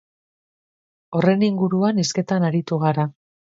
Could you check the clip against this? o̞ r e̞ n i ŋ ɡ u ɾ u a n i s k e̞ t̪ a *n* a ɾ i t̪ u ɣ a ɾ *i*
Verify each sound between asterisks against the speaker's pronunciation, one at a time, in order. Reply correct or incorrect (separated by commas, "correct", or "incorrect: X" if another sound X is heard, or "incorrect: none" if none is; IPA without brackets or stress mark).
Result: correct, incorrect: a